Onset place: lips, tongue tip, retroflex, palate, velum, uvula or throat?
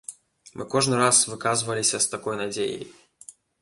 lips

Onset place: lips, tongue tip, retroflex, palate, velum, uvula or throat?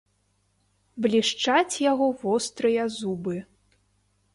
lips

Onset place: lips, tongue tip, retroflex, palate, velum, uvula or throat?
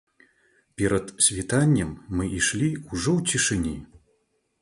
lips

